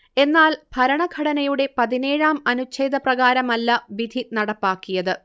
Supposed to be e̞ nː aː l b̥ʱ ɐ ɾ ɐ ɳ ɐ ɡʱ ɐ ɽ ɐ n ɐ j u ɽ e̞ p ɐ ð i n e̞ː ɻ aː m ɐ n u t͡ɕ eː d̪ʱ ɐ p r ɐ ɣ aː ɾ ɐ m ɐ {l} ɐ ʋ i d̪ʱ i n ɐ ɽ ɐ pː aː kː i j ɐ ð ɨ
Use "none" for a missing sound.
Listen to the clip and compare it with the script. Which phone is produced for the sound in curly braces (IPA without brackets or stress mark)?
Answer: lː